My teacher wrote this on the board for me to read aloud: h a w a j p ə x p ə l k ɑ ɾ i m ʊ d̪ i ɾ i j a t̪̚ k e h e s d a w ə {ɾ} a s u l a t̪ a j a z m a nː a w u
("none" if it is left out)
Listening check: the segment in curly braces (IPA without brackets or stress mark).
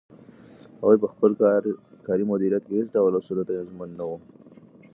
l